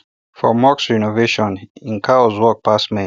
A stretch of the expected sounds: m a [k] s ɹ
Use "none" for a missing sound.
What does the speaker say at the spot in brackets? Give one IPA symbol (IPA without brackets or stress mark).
k